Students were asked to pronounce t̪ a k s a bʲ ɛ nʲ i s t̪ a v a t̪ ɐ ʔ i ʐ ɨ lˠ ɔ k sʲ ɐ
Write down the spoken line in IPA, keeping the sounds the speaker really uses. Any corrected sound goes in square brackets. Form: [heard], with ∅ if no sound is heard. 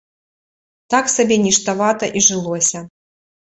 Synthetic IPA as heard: t̪ a k s a bʲ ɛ nʲ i [ʂ] t̪ a v a t̪ ɐ ʔ i ʐ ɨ lˠ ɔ [∅] sʲ ɐ

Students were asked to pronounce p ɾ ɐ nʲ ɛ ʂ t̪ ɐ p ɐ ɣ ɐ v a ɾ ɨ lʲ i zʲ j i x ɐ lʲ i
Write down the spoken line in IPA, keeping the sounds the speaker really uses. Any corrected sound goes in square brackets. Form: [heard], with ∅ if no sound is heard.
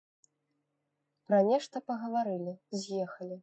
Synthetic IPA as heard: p ɾ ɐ nʲ ɛ ʂ t̪ ɐ p ɐ ɣ ɐ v a ɾ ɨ lʲ i zʲ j [ɛ] x ɐ lʲ i

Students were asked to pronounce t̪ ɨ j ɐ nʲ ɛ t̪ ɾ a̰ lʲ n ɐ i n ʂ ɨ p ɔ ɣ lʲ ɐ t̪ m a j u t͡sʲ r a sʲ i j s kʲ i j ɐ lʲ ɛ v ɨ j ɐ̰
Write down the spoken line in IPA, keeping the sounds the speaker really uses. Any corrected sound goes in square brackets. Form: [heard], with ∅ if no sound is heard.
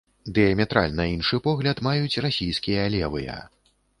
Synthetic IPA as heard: [d̪] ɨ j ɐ [mʲ] ɛ t̪ ɾ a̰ lʲ n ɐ i n ʂ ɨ p ɔ ɣ lʲ ɐ t̪ m a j u t͡sʲ r a sʲ i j s kʲ i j ɐ lʲ ɛ v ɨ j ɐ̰

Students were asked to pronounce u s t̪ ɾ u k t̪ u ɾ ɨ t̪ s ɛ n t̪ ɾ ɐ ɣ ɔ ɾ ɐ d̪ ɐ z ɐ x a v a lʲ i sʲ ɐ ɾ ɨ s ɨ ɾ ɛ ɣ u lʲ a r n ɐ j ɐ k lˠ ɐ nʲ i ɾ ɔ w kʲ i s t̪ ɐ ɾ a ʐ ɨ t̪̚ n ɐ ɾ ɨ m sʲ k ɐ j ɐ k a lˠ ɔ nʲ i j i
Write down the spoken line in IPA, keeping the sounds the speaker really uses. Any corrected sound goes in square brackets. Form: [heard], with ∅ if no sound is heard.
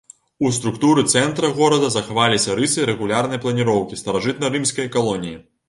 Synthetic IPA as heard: u s t̪ ɾ u k t̪ u ɾ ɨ t̪ s ɛ n t̪ ɾ ɐ ɣ ɔ ɾ ɐ d̪ ɐ z ɐ x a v a lʲ i sʲ ɐ ɾ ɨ s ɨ ɾ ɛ ɣ u lʲ a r n ɐ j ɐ [p] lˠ ɐ nʲ i ɾ ɔ w kʲ i s t̪ ɐ ɾ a ʐ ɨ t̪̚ n ɐ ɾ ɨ m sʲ k ɐ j ɐ k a lˠ ɔ nʲ i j i

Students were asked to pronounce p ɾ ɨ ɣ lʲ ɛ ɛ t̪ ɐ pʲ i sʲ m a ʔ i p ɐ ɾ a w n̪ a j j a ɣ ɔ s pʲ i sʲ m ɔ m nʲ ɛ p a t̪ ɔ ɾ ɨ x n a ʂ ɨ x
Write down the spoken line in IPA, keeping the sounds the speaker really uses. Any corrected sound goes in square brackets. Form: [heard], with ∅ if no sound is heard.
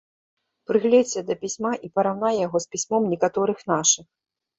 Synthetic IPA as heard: p ɾ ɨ ɣ lʲ ɛ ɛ [d̪] ɐ pʲ i sʲ m a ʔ i p ɐ ɾ a w n̪ a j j a ɣ ɔ s pʲ i sʲ m ɔ m nʲ ɛ [k] a t̪ ɔ ɾ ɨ x n a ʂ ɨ x

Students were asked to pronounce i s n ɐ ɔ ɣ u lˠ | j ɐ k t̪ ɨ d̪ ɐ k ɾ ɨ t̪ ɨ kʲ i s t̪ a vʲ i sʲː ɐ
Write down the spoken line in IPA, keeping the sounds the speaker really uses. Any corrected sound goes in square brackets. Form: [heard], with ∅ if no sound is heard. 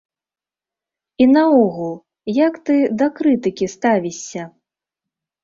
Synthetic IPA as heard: i [∅] n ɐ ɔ ɣ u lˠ | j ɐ k t̪ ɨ d̪ ɐ k ɾ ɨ t̪ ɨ kʲ i s t̪ a vʲ i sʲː ɐ

